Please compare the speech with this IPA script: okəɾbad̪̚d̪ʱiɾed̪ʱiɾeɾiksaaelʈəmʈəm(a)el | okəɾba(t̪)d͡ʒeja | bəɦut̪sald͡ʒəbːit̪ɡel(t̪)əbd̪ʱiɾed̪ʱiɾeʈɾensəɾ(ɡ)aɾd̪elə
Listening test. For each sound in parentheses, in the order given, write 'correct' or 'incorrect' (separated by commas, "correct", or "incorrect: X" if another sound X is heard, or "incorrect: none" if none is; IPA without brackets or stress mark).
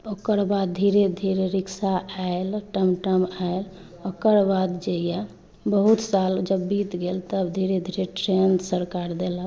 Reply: correct, incorrect: d̪, correct, incorrect: k